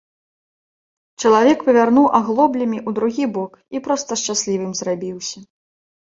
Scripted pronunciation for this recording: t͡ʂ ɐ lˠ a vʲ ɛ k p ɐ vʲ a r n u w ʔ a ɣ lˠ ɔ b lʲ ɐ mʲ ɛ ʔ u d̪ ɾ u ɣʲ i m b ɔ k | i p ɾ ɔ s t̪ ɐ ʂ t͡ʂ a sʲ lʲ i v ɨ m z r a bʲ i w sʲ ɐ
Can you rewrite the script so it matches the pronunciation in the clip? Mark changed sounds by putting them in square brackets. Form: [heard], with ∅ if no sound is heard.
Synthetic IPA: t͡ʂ ɐ lˠ a vʲ ɛ k p ɐ vʲ a r n u w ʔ a ɣ lˠ ɔ b lʲ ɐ mʲ [i] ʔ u d̪ ɾ u ɣʲ i [∅] b ɔ k | i p ɾ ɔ s t̪ ɐ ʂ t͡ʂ a sʲ lʲ i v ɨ m z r a bʲ i w sʲ ɐ